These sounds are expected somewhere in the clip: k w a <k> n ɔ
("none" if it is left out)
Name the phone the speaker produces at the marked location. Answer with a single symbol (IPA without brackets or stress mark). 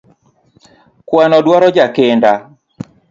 none